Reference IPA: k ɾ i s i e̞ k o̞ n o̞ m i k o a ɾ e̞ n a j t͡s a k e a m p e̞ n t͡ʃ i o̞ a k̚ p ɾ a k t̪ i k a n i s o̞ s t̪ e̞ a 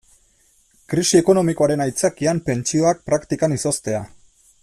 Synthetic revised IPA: k ɾ i s i e̞ k o̞ n o̞ m i k o a ɾ e̞ n a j t͡s a k i a m p e̞ n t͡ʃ i o̞ a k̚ p ɾ a k t̪ i k a n i s o̞ s t̪ e̞ a

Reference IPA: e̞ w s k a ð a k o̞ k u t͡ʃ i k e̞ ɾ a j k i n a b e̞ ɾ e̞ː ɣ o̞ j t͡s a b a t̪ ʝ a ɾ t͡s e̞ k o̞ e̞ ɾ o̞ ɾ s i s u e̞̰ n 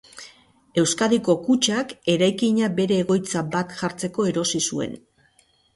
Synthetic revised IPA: e̞ w s k a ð i k o̞ k u t͡ʃ a k e̞ ɾ a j k i ɲ a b e̞ ɾ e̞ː ɣ o̞ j t͡s a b a t̪ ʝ a ɾ t͡s e̞ k o̞ e̞ ɾ o̞ s i s u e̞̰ n

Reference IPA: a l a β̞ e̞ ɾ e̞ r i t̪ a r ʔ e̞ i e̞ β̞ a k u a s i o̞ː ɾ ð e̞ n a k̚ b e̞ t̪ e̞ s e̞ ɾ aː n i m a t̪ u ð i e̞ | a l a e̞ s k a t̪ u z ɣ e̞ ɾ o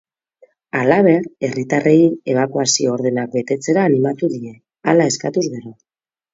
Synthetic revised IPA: a l a β̞ e̞ ɾ e̞ r i t̪ a r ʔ e̞ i e̞ β̞ a k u a s i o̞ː ɾ ð e̞ n a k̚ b e̞ t̪ e̞ t͡s e̞ ɾ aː n i m a t̪ u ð i e̞ | a l a e̞ s k a t̪ u z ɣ e̞ ɾ o

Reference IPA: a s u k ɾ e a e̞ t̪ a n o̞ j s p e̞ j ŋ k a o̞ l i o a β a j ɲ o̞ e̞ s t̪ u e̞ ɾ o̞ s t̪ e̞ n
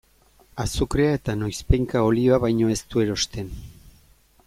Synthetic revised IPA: a s u k ɾ e a e̞ t̪ a n o̞ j s p e̞ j ŋ k a o̞ l i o a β a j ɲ o̞ e̞ s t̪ u e̞ ɾ o̞ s t̪ e̞ n

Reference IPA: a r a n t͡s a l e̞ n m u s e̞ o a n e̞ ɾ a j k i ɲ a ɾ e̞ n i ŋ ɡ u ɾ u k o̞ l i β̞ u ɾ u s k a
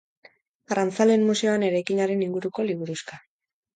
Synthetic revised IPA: a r a n t͡s a l e̞ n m u s e̞ o a n e̞ ɾ a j k i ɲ a ɾ e̞ n i ŋ ɡ u ɾ u k o̞ l i β̞ u ɾ u s k a

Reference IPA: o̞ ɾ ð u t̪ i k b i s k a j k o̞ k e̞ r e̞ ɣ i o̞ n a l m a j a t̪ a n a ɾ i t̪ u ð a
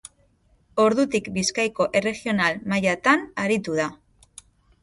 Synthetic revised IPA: o̞ ɾ ð u t̪ i k b i s k a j k o̞ ʔ e̞ r e̞ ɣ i o̞ n a l m a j a t̪ a n a ɾ i t̪ u ð a

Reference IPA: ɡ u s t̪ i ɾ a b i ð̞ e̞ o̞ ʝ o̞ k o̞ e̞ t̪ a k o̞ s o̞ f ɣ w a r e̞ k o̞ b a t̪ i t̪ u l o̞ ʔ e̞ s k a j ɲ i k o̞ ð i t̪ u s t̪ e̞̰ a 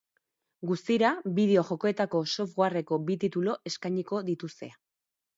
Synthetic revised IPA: ɡ u s t̪ i ɾ a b i ð̞ e̞ o̞ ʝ o̞ k o̞ e̞ t̪ a k o̞ s o̞ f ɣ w a r e̞ k o̞ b i t̪ i t̪ u l o̞ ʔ e̞ s k a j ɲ i k o̞ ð i t̪ u s t̪ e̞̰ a

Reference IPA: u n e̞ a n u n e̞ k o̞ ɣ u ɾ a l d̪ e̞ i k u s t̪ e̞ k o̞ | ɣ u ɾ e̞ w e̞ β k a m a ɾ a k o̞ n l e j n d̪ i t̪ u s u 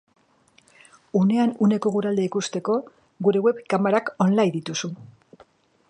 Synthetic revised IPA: u n e̞ a n u n e̞ k o̞ ɣ u ɾ a l d̪ e̞ i k u s t̪ e̞ k o̞ | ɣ u ɾ e̞ w e̞ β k a m a ɾ a k o̞ n l a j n d̪ i t̪ u s u

